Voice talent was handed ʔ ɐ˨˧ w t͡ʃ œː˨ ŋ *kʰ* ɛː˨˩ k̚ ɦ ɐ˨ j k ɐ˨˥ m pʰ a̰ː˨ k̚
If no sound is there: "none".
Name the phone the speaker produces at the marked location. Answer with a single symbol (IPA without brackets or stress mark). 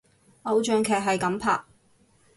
kʰ